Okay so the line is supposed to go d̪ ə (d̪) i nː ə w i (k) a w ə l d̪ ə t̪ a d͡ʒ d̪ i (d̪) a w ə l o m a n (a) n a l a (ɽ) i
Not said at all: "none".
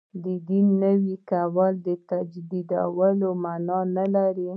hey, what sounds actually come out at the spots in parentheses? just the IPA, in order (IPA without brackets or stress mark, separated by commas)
d̪, k, d̪, ɑ, ɾ